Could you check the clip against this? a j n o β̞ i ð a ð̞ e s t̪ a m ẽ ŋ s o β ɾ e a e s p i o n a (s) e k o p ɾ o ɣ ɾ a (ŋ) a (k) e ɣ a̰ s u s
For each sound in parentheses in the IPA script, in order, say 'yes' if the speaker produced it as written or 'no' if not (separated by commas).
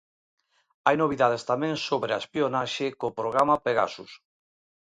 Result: no, no, no